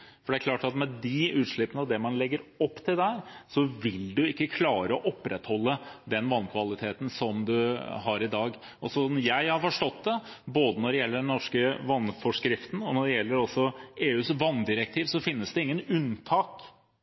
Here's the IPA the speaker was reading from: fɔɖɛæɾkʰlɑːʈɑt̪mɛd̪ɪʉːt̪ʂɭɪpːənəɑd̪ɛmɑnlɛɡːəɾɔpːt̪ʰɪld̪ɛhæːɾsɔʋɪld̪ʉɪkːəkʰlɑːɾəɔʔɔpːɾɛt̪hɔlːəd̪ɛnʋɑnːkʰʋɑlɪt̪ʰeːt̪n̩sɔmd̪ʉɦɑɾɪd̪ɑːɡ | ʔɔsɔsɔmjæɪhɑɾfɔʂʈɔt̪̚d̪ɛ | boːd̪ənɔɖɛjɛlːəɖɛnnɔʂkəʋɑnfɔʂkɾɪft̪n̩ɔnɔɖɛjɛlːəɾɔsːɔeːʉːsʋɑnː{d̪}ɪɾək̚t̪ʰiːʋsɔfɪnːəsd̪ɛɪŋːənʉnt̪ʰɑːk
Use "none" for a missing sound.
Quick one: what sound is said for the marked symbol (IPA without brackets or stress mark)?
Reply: d̪